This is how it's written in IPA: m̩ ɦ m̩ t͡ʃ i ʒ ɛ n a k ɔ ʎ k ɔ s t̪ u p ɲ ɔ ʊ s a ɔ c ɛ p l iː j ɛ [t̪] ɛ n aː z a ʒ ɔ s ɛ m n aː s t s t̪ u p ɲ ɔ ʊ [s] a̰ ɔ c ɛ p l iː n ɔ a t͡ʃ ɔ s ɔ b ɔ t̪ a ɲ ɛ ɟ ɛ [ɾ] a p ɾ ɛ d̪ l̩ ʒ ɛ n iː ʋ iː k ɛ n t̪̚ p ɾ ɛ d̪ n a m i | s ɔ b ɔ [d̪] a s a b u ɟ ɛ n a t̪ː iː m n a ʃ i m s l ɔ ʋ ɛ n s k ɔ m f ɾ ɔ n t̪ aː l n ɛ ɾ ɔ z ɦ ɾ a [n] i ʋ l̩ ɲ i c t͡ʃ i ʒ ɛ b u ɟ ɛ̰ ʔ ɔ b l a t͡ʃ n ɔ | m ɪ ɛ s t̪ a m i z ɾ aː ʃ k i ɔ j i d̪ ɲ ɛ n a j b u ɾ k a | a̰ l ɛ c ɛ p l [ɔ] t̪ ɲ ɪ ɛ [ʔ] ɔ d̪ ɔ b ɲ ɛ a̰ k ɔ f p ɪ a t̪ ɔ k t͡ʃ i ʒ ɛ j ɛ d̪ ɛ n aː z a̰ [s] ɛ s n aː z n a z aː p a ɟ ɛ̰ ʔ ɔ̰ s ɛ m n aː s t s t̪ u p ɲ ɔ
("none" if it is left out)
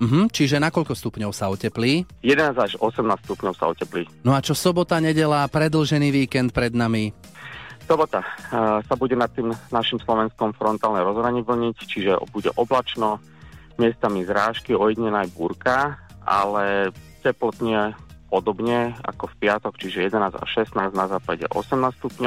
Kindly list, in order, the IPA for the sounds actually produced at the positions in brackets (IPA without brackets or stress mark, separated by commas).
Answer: d̪, s, l, t̪, ɲ, ɔ, p, ʃ